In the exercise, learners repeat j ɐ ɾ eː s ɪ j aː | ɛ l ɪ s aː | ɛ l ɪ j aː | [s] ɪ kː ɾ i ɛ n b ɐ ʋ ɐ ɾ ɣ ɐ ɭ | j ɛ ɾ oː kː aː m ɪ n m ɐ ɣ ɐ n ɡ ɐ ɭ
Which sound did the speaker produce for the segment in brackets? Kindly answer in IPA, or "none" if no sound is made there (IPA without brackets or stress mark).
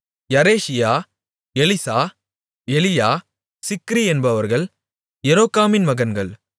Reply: s